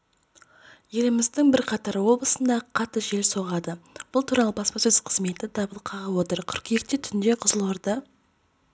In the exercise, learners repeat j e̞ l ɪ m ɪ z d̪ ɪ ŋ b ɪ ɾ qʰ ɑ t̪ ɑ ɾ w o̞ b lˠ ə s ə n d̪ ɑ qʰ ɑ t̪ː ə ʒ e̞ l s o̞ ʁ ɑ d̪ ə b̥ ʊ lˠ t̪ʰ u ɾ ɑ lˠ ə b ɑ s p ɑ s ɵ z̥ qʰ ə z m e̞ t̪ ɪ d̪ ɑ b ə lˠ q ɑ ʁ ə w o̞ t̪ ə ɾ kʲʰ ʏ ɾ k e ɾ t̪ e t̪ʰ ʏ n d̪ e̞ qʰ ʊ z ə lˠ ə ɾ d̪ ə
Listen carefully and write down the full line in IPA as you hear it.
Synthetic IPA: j e̞ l ɪ m ɪ z d̪ ɪ ŋ b ɪ ɾ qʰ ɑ t̪ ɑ ɾ w o̞ b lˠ ə s ə n d̪ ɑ qʰ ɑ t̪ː ə ʒ e̞ l s o̞ ʁ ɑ d̪ ə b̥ ʊ lˠ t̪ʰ u ɾ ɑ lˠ ə b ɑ s p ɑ s ɵ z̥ qʰ ə z m e̞ t̪ ɪ d̪ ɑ b ə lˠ qʰ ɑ ʁ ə w o̞ t̪ ə ɾ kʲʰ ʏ ɾ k e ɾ t̪ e t̪ʰ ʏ n d̪ e̞ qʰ ʊ z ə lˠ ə ɾ d̪ ə